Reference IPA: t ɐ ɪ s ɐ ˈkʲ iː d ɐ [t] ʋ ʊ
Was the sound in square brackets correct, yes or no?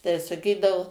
no